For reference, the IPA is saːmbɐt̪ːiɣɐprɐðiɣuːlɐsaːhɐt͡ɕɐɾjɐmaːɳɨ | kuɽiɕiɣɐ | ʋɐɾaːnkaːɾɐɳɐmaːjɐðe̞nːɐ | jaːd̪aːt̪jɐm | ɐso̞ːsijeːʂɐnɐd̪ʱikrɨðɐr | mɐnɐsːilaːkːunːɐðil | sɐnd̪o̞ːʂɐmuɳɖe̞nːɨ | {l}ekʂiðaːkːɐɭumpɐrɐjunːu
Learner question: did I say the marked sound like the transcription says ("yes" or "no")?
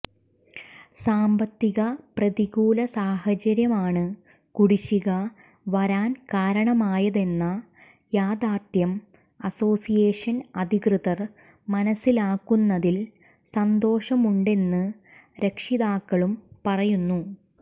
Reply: no